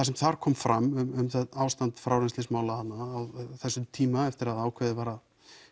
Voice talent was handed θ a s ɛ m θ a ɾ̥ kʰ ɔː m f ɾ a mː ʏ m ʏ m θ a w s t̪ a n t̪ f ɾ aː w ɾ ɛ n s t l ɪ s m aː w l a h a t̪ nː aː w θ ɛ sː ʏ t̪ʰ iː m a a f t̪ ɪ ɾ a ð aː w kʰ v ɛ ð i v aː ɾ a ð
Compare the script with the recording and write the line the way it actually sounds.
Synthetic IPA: θ a s ɛ m θ a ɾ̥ kʰ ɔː m f ɾ a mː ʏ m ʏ m θ a w s t̪ a n t̪ f ɾ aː w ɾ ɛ n s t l ɪ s m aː w l a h a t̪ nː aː w θ ɛ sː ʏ t̪ʰ iː m a ɛ f t̪ ɪ ɾ a ð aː w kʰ v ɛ ð ɪ v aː ɾ a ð